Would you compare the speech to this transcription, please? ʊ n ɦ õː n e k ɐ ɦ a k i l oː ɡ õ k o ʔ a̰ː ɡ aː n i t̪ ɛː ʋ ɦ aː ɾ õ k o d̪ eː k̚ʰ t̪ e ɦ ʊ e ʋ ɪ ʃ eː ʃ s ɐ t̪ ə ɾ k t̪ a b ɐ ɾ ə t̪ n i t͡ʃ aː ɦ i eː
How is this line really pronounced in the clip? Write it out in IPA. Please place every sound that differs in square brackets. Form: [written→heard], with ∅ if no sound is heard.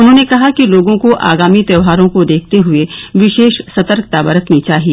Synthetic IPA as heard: ʊ n ɦ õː n e k ɐ ɦ a k i l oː ɡ õ k o ʔ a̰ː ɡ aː [n→m] i t̪ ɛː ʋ ɦ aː ɾ õ k o d̪ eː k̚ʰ t̪ e ɦ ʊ e ʋ ɪ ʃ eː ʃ s ɐ t̪ ə ɾ k t̪ a b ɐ ɾ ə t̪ n i t͡ʃ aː ɦ i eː